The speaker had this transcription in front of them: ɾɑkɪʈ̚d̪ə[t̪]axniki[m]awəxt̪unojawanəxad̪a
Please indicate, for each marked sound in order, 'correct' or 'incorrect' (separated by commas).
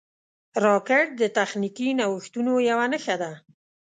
correct, incorrect